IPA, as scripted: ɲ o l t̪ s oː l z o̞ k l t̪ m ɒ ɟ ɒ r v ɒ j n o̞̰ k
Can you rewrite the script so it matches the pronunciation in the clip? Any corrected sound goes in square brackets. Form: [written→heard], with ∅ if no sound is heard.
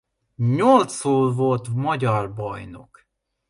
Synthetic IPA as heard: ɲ o l t̪ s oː l [z→v] o̞ [k→∅] l t̪ m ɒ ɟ ɒ r [v→b] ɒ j n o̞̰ k